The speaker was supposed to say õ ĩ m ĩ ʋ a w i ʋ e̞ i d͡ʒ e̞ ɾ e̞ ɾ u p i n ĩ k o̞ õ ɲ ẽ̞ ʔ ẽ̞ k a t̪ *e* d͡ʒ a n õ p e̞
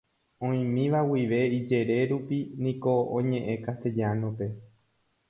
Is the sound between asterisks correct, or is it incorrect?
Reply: correct